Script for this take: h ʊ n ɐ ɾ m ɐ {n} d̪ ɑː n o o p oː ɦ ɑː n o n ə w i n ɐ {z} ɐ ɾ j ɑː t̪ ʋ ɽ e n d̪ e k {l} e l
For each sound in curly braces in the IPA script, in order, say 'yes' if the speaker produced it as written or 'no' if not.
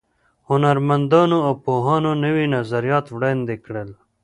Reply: yes, yes, no

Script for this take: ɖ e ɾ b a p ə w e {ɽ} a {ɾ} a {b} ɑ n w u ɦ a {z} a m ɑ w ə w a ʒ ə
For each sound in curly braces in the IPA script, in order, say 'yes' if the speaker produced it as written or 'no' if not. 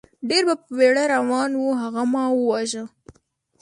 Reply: yes, yes, no, no

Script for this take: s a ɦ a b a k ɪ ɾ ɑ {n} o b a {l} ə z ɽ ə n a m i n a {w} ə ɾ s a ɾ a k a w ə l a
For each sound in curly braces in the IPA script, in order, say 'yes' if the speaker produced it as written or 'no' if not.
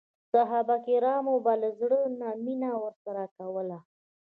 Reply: no, yes, yes

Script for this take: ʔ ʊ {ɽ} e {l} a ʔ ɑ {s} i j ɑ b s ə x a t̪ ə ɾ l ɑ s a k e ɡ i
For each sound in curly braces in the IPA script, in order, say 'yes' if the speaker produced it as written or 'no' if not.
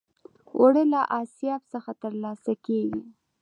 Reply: yes, yes, yes

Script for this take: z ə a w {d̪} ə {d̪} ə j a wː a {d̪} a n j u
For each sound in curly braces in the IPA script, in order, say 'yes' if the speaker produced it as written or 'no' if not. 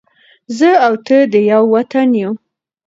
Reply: no, yes, no

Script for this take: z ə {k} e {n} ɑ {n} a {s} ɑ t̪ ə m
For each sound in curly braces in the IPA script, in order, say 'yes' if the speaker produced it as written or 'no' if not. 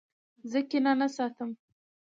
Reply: yes, yes, yes, yes

